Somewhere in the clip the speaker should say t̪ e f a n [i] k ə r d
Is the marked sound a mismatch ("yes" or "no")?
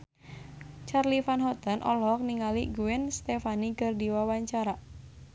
no